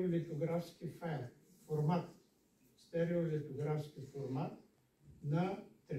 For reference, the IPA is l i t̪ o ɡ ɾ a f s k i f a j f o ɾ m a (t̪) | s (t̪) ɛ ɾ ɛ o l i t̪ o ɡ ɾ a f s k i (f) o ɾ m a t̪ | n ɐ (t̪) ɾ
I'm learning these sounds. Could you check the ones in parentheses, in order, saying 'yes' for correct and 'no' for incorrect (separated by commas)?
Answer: yes, yes, yes, yes